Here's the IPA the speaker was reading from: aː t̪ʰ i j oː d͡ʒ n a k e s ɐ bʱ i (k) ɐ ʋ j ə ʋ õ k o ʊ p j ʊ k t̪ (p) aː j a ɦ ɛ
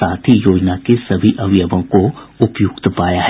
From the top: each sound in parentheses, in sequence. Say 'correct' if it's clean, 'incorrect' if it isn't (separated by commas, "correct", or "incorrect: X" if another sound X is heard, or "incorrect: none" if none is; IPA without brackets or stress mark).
incorrect: ʔ, correct